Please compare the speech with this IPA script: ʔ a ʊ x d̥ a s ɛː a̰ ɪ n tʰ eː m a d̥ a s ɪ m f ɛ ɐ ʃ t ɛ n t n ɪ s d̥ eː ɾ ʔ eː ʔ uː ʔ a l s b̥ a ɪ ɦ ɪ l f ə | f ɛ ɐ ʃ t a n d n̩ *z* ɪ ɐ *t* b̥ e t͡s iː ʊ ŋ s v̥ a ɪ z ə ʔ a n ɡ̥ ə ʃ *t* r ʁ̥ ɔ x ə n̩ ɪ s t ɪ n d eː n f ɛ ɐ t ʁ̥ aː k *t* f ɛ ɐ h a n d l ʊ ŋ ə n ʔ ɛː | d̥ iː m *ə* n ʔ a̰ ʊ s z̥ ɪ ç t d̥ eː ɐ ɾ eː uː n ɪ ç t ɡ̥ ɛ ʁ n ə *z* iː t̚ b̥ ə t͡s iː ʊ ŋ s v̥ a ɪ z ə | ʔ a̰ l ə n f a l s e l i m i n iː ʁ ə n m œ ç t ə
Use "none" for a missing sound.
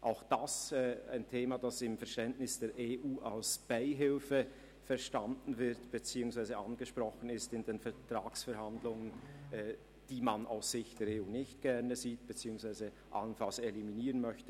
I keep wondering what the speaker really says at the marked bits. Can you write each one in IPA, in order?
v, t, p, s, a, z

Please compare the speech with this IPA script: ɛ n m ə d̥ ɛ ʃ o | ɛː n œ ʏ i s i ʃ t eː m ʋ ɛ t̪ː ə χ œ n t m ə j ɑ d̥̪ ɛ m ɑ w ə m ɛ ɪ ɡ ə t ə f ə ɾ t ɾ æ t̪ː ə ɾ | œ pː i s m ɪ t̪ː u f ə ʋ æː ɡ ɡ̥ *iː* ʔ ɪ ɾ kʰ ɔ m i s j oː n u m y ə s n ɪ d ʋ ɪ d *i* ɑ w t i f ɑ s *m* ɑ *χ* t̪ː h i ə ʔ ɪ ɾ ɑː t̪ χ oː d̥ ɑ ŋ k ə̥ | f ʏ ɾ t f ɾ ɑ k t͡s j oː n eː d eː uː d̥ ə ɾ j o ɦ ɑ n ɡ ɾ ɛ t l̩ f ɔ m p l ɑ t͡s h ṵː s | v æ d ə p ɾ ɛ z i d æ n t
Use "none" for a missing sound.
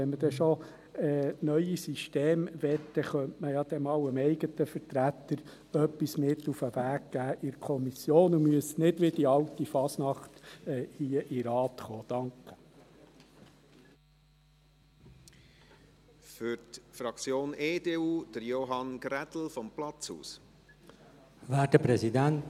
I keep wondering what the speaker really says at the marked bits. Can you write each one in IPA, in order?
æː, i, n, χ

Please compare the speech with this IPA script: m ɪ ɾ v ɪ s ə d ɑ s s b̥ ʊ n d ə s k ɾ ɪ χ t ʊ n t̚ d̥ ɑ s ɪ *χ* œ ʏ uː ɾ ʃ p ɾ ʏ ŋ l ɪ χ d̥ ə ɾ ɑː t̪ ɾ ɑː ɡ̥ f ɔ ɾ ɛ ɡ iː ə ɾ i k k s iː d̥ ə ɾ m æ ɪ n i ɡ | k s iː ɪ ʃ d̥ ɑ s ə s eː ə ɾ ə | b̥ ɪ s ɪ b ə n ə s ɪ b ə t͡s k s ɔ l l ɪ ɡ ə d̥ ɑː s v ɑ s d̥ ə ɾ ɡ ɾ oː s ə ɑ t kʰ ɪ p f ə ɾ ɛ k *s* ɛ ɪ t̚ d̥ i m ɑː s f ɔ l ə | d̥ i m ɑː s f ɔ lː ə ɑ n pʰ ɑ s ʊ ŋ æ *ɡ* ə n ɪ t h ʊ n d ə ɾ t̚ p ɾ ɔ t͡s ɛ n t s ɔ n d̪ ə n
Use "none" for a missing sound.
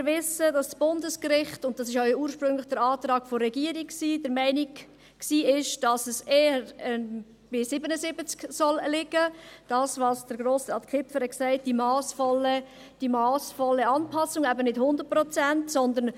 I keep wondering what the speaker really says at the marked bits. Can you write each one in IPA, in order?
ʃ, s, b

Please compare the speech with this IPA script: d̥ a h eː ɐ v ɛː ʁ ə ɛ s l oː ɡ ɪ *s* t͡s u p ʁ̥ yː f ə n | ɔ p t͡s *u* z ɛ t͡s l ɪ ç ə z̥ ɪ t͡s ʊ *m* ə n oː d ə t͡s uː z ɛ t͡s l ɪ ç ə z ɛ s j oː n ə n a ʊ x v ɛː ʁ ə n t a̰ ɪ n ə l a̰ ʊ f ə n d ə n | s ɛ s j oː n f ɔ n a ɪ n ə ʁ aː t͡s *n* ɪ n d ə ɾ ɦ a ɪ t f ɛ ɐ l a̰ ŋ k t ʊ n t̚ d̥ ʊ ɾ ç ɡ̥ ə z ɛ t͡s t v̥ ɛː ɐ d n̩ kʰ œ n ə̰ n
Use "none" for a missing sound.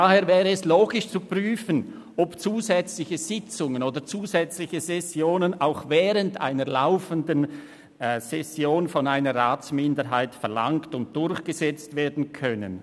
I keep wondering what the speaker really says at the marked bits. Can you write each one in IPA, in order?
ʃ, uː, ŋ, m

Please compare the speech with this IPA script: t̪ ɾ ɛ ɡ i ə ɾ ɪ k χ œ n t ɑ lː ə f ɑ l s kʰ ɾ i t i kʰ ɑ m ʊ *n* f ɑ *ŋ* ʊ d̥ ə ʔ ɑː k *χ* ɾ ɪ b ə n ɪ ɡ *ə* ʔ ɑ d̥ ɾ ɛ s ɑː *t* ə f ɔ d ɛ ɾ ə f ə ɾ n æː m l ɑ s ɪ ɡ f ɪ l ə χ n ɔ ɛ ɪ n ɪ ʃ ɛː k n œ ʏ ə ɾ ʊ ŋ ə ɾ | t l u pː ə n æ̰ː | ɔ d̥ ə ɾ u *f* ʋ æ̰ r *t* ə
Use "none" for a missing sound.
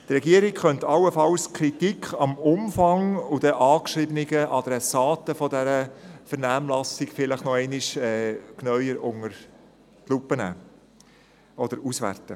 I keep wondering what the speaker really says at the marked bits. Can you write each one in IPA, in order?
m, ŋ, ʃ, ə, t, s, t

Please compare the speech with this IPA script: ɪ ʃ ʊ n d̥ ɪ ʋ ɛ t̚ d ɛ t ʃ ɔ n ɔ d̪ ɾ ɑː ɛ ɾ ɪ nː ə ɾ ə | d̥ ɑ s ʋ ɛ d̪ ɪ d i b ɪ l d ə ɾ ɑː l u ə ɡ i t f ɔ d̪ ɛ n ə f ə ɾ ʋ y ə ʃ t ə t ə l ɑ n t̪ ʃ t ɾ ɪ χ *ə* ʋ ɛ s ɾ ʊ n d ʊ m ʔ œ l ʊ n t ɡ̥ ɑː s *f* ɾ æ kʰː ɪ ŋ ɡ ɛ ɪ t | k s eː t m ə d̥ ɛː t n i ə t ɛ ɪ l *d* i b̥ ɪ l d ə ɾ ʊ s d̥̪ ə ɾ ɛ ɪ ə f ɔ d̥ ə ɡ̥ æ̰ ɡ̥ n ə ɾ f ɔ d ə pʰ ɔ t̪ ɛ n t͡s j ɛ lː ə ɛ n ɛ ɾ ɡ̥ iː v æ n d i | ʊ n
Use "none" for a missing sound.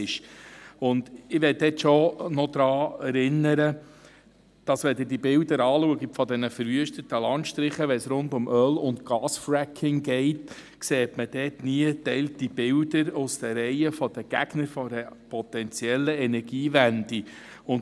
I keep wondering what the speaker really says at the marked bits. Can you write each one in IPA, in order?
ə, f, t

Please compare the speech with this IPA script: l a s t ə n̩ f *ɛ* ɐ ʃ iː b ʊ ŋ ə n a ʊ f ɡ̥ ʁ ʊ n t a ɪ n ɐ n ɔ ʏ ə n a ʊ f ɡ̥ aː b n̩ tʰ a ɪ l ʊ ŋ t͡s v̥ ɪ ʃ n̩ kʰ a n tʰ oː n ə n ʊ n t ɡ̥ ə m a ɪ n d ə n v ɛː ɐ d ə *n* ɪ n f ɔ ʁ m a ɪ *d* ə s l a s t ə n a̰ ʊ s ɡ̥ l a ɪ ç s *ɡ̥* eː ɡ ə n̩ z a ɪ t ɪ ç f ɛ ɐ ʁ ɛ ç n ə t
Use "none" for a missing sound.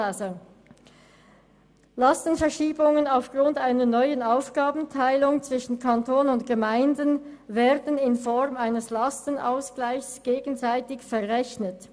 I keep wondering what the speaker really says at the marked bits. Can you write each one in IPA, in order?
ɛ, n, n, ɡ̥

